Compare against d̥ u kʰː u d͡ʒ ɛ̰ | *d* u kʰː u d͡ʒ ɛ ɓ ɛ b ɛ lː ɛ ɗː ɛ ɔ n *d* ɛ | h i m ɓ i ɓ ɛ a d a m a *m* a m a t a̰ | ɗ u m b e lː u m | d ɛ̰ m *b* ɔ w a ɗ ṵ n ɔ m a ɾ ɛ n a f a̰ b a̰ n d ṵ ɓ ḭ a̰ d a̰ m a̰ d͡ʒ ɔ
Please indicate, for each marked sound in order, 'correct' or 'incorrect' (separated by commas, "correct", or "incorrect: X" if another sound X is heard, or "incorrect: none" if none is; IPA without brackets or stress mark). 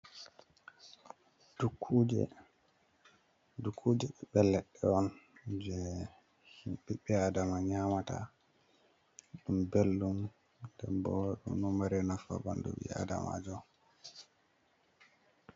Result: correct, incorrect: d͡ʒ, incorrect: ɲ, correct